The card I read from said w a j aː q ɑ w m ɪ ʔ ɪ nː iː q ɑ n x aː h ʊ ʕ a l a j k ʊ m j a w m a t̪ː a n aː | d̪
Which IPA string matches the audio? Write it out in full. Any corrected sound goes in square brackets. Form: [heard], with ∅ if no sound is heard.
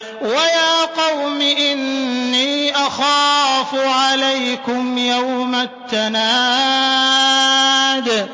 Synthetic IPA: w a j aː q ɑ w m ɪ ʔ ɪ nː iː [ʔ] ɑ [∅] x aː [f] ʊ ʕ a l a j k ʊ m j a w m a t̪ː a n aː | d̪

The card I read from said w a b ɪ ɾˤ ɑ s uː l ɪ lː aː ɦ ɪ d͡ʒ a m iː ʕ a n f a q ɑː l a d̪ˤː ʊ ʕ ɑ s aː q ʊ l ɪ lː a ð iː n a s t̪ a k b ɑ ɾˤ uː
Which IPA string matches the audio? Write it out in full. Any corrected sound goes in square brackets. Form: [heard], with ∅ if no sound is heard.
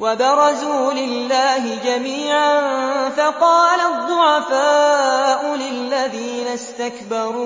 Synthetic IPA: w a b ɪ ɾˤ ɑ [z] uː l ɪ lː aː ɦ ɪ d͡ʒ a m iː ʕ a n f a q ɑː l a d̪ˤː ʊ ʕ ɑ [f] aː [ʔ] ʊ l ɪ lː a ð iː n a s t̪ a k b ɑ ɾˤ uː

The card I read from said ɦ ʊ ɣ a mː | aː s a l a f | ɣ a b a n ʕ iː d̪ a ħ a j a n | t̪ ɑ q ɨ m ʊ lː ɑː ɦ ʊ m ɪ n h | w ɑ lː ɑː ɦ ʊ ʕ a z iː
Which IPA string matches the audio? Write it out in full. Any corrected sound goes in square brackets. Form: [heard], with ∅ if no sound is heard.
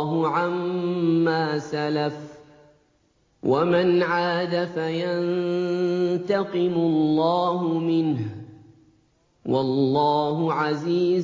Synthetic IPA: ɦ ʊ [ʕ] a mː | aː s a l a f | [w] a [m] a n ʕ [aː] d̪ a [f] a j a n | t̪ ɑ q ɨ m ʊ lː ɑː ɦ ʊ m ɪ n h | w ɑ lː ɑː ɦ ʊ ʕ a z iː

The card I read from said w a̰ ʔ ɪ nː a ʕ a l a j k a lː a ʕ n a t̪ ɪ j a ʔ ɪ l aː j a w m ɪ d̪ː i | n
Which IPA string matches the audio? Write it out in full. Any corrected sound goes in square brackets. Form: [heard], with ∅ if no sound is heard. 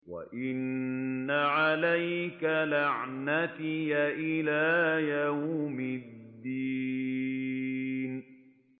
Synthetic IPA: w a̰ ʔ ɪ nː a ʕ a l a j k a [l] a ʕ n a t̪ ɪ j a ʔ ɪ l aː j a w m ɪ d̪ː i | n

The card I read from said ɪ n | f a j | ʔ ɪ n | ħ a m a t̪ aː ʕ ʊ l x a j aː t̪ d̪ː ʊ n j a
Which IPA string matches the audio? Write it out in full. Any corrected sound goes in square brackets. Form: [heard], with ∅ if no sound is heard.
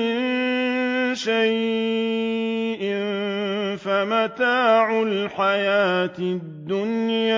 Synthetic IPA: ɪ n | [ʃ] a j | ʔ ɪ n | [f] a m a t̪ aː ʕ ʊ l [ħ] a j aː t̪ d̪ː ʊ n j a

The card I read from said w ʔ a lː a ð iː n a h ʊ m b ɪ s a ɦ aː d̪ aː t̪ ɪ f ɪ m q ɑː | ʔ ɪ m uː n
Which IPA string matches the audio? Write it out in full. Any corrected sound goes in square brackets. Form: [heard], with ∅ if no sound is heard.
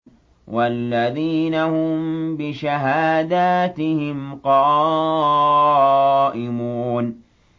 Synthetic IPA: w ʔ a lː a ð iː n a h ʊ m b ɪ [ʃ] a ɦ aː d̪ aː t̪ ɪ [h] ɪ m q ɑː | ʔ ɪ m uː n

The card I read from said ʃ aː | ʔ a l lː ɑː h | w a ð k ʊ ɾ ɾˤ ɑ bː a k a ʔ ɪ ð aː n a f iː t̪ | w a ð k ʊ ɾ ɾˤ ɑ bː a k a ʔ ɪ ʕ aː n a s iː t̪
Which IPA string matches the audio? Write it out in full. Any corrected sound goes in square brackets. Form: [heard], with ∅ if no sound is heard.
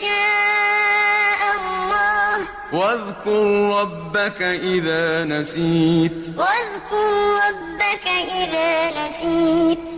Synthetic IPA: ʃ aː | ʔ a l lː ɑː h | w a ð k ʊ ɾ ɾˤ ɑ bː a k a ʔ ɪ ð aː n a [s] iː t̪ | w a ð k ʊ ɾ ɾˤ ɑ bː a k a ʔ ɪ [ð] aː n a s iː t̪

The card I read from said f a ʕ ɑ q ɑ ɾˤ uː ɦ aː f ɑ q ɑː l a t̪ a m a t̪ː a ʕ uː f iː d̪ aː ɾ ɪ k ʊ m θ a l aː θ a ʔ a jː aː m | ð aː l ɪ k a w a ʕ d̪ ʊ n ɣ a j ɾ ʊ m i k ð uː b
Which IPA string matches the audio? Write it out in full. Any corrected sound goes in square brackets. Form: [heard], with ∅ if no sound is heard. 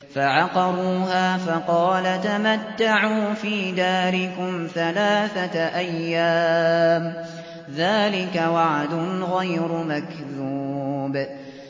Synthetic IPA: f a ʕ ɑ q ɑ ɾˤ uː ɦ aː f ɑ q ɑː l a t̪ a m a t̪ː a ʕ uː f iː d̪ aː ɾ ɪ k ʊ m θ a l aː θ a ʔ a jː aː m | ð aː l ɪ k a w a ʕ d̪ ʊ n ɣ a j ɾ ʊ m [a] k ð uː b

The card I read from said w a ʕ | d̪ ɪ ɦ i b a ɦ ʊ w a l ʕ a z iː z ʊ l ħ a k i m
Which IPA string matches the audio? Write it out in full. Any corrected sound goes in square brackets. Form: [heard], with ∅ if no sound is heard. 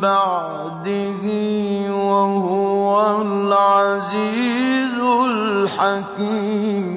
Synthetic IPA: [b] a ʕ | d̪ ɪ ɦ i [w] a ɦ ʊ w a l ʕ a z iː z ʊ l ħ a k i m

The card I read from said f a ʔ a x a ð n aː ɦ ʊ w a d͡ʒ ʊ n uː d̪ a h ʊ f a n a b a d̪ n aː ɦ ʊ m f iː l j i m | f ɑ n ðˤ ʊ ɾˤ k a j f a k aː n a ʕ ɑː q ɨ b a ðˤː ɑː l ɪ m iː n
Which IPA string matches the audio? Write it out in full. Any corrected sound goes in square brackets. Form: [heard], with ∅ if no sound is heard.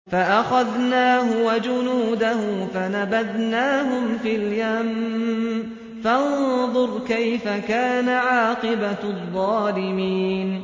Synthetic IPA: f a ʔ a x a ð n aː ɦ ʊ w a d͡ʒ ʊ n uː d̪ a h ʊ f a n a b a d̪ n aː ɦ ʊ m f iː l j [a] m | f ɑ n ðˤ ʊ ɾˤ k a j f a k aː n a ʕ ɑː q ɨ b a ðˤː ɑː l ɪ m iː n

